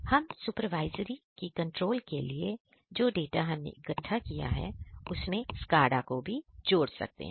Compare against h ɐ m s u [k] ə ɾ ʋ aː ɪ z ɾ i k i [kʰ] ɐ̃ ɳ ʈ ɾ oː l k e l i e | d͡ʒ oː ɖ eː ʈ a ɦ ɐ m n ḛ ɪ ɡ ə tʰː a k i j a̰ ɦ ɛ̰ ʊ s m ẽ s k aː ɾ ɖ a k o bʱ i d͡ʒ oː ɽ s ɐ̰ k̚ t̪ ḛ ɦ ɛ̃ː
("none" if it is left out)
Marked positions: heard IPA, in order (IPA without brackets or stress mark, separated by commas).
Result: p, k